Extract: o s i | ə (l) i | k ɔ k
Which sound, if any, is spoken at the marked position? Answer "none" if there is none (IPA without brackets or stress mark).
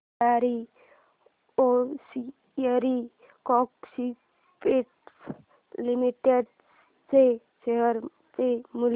ɾ